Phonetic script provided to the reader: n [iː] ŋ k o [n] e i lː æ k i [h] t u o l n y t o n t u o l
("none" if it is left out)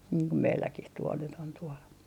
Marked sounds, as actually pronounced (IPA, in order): iː, m, h

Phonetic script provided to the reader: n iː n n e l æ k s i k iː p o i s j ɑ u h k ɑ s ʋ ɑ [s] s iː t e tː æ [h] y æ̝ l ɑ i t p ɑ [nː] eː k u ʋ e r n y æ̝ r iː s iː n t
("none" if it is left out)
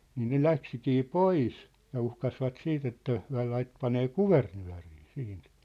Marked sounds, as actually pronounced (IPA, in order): t, h, n

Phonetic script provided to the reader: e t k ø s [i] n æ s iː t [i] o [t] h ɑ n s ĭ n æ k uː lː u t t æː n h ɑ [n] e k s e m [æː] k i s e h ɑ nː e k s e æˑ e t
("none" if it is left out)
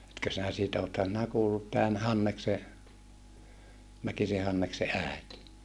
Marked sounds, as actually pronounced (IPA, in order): i, æ, t, nː, æ

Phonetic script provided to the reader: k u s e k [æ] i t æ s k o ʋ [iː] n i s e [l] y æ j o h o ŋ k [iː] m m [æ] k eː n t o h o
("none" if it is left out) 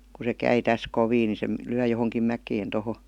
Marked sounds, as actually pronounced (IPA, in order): æ, iː, l, i, æ

